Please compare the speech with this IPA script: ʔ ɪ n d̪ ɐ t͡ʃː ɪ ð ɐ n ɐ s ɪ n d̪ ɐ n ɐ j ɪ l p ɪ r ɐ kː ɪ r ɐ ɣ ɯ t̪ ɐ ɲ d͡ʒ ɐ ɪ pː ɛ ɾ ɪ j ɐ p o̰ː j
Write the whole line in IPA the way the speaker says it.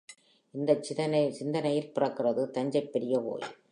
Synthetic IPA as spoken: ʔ ɪ n d̪ ɐ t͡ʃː ɪ ð ɐ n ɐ s ɪ n d̪ ɐ n ɐ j ɪ l p ɪ r ɐ kː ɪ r ɐ ð ɯ t̪ ɐ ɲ d͡ʒ ɐ ɪ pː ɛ ɾ ɪ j ɐ p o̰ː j